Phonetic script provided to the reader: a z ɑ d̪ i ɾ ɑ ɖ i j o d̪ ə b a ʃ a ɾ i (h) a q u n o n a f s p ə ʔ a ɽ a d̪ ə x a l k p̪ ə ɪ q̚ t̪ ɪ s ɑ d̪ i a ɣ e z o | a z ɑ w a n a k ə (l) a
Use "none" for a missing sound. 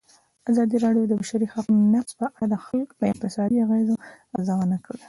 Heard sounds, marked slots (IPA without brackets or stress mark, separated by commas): x, ɽ